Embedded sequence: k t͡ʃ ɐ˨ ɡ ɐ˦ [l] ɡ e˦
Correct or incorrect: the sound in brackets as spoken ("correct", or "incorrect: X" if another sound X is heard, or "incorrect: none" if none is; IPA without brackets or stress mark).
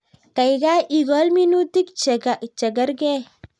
incorrect: ɾ